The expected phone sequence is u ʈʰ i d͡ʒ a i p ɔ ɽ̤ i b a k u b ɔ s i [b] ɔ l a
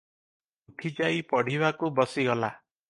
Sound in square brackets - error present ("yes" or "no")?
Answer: yes